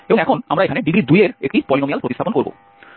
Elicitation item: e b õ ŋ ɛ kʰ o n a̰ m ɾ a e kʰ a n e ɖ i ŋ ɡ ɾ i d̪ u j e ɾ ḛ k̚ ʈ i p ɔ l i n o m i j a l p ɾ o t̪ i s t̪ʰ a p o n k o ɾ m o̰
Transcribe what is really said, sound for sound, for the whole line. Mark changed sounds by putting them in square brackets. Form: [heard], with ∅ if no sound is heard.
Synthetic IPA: e b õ ŋ ɛ kʰ o n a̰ m ɾ a e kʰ a n e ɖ i [∅] ɡ ɾ i d̪ u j e ɾ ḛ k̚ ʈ i p ɔ l i n o m i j a l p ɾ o t̪ i s t̪ʰ a p o n k o ɾ [b] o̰